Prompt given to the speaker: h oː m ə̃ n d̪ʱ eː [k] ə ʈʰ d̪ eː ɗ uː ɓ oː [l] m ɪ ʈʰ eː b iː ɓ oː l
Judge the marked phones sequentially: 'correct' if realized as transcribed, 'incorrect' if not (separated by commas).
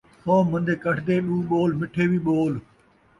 correct, correct